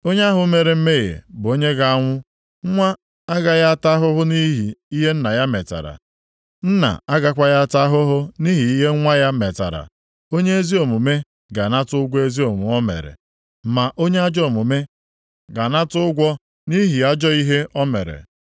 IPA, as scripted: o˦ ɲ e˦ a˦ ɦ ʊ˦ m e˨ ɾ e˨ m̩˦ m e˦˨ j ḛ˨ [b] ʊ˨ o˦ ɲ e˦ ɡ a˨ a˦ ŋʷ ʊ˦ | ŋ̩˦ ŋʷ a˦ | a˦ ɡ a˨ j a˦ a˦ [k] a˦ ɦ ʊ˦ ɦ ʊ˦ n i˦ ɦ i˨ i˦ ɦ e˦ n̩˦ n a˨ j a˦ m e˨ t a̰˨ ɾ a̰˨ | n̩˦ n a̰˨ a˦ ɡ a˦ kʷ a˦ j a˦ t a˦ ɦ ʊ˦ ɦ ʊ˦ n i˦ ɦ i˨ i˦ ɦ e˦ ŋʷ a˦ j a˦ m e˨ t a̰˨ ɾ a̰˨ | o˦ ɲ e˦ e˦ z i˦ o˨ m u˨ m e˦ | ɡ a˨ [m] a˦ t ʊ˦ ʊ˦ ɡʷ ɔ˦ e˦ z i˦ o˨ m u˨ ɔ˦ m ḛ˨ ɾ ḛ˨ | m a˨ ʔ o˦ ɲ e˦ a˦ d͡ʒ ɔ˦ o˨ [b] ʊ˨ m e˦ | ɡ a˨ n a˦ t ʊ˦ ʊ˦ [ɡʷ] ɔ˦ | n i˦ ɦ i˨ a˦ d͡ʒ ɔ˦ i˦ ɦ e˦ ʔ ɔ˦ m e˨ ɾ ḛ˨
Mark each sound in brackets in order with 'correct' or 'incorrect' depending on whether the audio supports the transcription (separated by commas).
correct, incorrect, incorrect, incorrect, correct